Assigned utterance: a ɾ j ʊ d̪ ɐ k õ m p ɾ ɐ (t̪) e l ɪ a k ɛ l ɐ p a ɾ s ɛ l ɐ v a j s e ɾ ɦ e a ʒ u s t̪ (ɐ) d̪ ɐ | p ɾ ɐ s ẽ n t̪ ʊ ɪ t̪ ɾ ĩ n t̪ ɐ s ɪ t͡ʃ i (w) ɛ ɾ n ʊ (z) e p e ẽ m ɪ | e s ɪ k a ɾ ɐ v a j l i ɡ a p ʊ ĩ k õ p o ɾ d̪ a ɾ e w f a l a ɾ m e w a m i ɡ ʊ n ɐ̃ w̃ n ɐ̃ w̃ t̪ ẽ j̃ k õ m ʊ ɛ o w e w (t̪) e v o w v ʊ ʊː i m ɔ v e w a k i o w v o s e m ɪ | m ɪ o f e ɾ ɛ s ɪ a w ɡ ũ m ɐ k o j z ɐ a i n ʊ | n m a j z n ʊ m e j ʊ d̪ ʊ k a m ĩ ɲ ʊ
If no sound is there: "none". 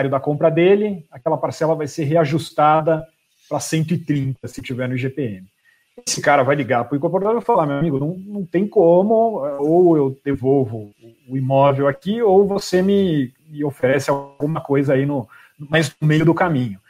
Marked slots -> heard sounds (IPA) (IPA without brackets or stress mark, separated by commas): d̪, a, v, ʒ, d̪